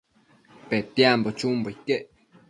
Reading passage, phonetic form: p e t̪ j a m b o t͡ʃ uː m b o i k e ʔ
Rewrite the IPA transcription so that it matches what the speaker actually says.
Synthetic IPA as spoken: p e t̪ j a m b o t͡ʃ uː m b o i k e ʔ